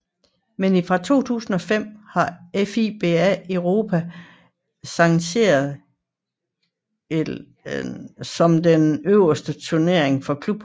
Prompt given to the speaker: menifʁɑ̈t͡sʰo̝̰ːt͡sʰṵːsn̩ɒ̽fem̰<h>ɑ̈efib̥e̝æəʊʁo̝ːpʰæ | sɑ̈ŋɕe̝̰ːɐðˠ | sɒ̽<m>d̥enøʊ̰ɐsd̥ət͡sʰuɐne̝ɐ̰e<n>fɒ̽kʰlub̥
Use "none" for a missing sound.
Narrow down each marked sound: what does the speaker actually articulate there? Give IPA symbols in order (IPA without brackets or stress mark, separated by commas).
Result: h, m, ŋ